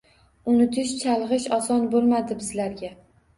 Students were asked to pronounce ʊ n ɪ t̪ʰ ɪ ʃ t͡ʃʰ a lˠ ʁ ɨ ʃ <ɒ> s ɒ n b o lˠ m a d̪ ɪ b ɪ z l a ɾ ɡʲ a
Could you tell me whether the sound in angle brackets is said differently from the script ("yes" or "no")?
no